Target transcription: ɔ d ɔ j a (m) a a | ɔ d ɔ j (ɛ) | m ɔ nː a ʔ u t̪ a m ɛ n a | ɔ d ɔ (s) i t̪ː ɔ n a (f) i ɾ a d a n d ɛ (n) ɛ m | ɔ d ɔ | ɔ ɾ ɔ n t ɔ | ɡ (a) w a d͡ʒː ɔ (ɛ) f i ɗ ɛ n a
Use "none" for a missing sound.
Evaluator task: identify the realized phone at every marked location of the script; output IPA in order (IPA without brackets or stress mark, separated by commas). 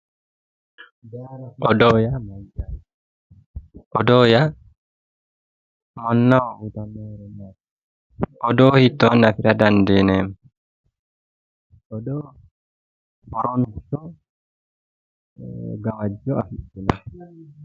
m, a, h, f, n, a, a